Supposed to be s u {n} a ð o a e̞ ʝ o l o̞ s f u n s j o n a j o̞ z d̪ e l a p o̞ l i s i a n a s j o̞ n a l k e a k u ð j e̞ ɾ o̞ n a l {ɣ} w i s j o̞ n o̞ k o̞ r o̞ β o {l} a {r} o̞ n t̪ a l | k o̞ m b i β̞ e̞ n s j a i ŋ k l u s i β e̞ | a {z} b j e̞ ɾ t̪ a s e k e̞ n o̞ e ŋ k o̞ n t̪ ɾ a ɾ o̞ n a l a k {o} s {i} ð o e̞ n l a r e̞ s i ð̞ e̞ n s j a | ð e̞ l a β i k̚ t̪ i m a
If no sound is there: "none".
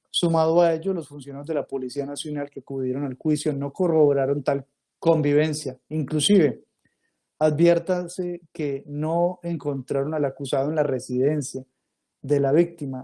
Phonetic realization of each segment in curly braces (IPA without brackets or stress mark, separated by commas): m, x, ɾ, ɾ, ð, u, a